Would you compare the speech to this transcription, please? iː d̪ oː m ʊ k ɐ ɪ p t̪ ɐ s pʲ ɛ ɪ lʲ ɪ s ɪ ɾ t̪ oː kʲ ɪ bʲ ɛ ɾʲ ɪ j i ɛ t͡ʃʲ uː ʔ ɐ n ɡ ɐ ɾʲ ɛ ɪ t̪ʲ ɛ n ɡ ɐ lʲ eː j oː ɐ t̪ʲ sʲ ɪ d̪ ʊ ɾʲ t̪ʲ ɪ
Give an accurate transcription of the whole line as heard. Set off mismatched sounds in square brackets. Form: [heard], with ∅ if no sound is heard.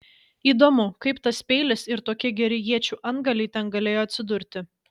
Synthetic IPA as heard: iː d̪ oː m ʊ k ɐ ɪ p t̪ ɐ s pʲ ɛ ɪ lʲ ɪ s ɪ ɾ t̪ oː kʲ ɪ [ɡʲ] ɛ ɾʲ ɪ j i ɛ t͡ʃʲ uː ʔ ɐ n ɡ ɐ [lʲ] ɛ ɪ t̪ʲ ɛ n ɡ ɐ lʲ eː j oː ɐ t̪ʲ sʲ ɪ d̪ ʊ ɾʲ t̪ʲ ɪ